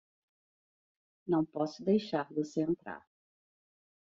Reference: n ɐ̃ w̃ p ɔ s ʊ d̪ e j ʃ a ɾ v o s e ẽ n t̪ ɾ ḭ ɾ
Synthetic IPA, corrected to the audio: n ɐ̃ w̃ p ɔ s ʊ d̪ e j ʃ a ɾ v o s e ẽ n t̪ ɾ a̰ ɾ